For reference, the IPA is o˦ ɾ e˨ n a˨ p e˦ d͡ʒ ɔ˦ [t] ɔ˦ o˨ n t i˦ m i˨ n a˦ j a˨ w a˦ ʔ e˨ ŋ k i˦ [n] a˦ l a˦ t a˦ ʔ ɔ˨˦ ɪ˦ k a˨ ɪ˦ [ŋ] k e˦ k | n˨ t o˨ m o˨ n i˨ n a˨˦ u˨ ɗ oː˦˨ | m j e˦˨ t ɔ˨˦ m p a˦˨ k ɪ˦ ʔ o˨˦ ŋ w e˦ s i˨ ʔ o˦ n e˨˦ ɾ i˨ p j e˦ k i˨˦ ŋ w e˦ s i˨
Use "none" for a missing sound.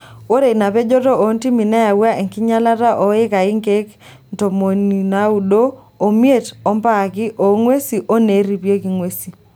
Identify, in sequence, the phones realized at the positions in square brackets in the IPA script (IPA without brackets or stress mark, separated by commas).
t, ɲ, ŋ